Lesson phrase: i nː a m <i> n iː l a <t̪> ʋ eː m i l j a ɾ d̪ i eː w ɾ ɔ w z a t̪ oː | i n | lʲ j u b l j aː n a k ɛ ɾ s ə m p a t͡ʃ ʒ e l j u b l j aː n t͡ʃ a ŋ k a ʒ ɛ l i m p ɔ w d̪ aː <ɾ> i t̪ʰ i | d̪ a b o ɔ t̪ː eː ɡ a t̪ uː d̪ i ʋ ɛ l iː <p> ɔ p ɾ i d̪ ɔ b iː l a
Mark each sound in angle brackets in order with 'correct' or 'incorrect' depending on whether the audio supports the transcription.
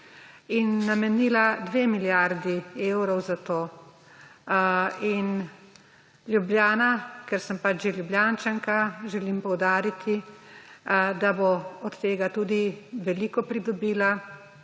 incorrect: ɛ, incorrect: d̪, correct, incorrect: k

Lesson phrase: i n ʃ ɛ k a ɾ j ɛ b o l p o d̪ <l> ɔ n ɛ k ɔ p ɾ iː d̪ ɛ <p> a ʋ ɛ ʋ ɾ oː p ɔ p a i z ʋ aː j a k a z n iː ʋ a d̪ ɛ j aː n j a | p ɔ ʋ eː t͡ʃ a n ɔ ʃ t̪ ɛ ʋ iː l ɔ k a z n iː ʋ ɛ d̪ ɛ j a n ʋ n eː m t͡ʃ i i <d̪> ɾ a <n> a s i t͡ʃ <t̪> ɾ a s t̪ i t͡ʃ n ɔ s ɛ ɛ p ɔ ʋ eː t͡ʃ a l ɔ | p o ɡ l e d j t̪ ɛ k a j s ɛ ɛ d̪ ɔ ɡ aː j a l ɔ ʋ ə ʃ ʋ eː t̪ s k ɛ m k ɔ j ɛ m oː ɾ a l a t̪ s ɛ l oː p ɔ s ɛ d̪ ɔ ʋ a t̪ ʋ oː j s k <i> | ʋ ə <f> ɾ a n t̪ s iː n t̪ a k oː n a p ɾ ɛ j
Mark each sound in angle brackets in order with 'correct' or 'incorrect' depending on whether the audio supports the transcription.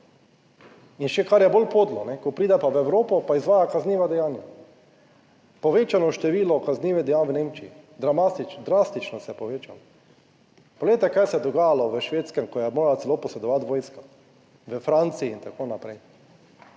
correct, correct, correct, incorrect: m, incorrect: d̪, incorrect: a, correct

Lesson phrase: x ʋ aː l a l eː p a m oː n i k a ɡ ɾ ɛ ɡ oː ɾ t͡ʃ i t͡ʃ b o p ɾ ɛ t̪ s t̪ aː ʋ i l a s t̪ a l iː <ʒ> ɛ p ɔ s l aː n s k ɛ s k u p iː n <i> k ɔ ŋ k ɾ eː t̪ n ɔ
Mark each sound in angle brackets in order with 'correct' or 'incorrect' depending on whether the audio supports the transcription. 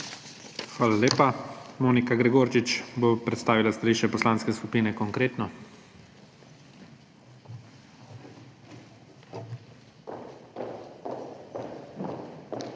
incorrect: ʃ, incorrect: ɛ

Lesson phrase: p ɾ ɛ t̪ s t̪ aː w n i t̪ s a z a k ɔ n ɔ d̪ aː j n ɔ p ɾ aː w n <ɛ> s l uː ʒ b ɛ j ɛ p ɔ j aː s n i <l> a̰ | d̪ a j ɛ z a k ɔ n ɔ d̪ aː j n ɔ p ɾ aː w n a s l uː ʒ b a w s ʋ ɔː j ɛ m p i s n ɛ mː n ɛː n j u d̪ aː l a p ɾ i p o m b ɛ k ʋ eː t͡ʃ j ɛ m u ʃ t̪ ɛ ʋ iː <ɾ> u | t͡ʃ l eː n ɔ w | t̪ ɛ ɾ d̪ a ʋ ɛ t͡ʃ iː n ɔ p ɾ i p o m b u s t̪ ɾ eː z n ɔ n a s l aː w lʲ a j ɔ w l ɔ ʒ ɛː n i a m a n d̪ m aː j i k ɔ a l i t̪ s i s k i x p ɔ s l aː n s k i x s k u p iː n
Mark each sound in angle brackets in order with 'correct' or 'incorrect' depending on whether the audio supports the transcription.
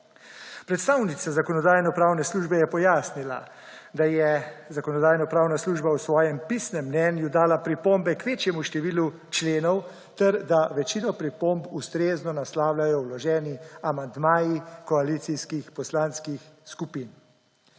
correct, correct, incorrect: l

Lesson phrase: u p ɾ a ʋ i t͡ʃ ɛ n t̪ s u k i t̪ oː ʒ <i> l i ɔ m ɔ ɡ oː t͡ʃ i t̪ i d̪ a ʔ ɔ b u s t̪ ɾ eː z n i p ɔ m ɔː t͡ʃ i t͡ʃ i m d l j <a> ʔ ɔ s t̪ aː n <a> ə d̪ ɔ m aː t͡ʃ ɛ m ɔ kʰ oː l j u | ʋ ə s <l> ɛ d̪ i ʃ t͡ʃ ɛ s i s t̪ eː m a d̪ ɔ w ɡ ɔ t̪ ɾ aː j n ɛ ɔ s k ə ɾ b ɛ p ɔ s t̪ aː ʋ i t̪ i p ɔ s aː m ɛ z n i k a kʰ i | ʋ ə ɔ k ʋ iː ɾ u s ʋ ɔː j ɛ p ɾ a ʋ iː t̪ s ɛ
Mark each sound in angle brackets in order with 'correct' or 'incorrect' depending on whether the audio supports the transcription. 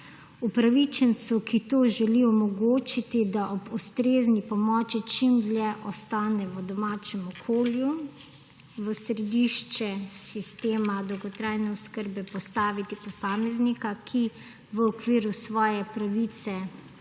incorrect: ɛ, incorrect: ɛ, incorrect: ɛ, incorrect: ɾ

